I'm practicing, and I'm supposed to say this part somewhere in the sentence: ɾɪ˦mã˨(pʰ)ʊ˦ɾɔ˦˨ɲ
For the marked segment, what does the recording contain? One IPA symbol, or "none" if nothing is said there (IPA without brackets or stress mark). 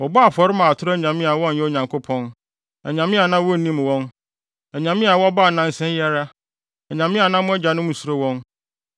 tʰ